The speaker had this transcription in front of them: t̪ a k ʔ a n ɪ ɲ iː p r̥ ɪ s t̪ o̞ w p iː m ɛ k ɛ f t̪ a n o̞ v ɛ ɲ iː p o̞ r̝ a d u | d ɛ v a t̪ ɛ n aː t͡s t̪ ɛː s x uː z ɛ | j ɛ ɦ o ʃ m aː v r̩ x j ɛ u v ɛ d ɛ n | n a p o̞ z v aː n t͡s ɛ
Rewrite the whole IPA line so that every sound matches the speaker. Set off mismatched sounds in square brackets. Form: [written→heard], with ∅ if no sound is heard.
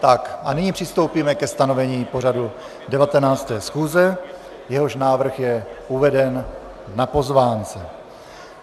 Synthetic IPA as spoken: t̪ a k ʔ a n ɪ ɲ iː p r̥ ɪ s t̪ o̞ w p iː m ɛ k ɛ [f→s] t̪ a n o̞ v ɛ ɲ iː p o̞ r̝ a d u | d ɛ v a t̪ ɛ n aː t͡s t̪ ɛː s x uː z ɛ | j ɛ ɦ o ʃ [m→n] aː v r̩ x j ɛ u v ɛ d ɛ n | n a p o̞ z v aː n t͡s ɛ

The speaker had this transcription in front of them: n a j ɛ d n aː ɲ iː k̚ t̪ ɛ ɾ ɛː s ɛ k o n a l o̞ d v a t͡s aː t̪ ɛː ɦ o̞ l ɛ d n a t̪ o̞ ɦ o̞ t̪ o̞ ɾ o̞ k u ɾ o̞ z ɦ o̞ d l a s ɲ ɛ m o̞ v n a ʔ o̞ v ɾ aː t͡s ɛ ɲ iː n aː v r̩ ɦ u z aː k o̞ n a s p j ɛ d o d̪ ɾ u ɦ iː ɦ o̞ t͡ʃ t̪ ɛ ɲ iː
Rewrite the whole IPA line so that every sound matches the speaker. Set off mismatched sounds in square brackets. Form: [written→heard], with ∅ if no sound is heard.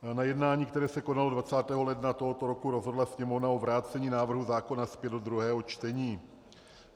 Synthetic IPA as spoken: n a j ɛ d n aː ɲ iː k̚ t̪ ɛ ɾ ɛː s ɛ k o n a l o̞ d v a t͡s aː t̪ ɛː ɦ o̞ l ɛ d n a t̪ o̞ ɦ o̞ t̪ o̞ ɾ o̞ k u ɾ o̞ z ɦ o̞ d l a s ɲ ɛ m o̞ v n a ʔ o̞ v ɾ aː t͡s ɛ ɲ iː n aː v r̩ ɦ u z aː k o̞ n a s p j ɛ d o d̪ ɾ u ɦ [iː→ɛː] ɦ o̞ t͡ʃ t̪ ɛ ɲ iː

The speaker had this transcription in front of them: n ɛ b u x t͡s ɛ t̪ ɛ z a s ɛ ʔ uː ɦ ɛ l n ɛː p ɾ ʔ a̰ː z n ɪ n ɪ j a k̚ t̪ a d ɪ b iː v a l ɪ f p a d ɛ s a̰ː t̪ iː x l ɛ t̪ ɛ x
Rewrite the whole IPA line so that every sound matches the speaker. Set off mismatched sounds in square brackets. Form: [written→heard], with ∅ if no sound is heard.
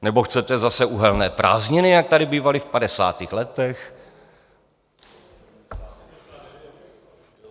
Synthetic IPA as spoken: n ɛ b [u→o] x t͡s ɛ t̪ ɛ z a s ɛ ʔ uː ɦ ɛ l n ɛː p ɾ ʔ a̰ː z [n→ɲ] ɪ n ɪ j a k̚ t̪ a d ɪ b iː v a l ɪ f p a d ɛ s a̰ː t̪ iː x l ɛ t̪ ɛ x

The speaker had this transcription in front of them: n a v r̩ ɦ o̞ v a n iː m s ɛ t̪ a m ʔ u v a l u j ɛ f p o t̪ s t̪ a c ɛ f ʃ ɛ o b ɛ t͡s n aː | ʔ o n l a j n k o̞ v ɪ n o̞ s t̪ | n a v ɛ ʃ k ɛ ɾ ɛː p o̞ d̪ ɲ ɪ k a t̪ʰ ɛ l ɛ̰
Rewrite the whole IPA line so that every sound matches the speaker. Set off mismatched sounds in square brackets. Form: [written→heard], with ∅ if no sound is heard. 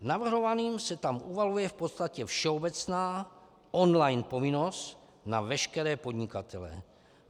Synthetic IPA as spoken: n a v r̩ ɦ o̞ v a n iː m s ɛ t̪ a m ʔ u v a l u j ɛ f p o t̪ s t̪ a c ɛ f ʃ ɛ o b ɛ t͡s n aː | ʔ o n l a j n [k→p] o̞ v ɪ n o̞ s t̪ | n a v ɛ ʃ k ɛ ɾ ɛː p o̞ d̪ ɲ ɪ k a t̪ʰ ɛ l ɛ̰

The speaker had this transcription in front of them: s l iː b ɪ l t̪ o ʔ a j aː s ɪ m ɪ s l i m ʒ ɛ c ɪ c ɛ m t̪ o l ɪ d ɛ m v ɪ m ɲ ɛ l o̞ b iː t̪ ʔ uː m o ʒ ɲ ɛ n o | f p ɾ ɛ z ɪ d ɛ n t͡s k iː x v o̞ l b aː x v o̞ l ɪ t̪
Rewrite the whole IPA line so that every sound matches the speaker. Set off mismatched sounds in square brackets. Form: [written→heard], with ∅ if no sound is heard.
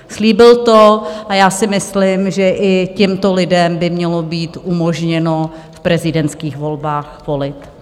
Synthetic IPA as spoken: s l iː b ɪ l t̪ o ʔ a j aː s ɪ m ɪ s l [i→ɪ] m ʒ ɛ [c→ʔ] ɪ c ɛ m t̪ o l ɪ d ɛ m [v→b] ɪ m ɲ ɛ l o̞ b iː t̪ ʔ [uː→u] m o ʒ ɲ ɛ n o | f p ɾ ɛ z ɪ d ɛ n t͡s k iː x v o̞ l b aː x v o̞ l ɪ t̪

